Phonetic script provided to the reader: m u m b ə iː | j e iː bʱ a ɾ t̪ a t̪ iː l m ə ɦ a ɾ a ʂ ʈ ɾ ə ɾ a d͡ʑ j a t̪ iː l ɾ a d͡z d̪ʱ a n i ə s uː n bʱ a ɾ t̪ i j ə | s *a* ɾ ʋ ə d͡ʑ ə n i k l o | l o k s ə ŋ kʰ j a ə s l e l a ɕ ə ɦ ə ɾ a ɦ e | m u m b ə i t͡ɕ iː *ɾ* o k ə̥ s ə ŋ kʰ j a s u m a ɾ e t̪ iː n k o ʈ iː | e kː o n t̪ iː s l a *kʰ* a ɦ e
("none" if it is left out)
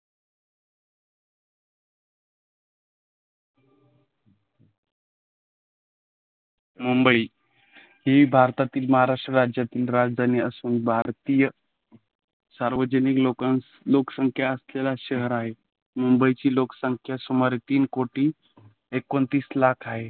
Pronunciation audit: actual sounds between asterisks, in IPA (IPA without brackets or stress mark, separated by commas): a, l, kʰ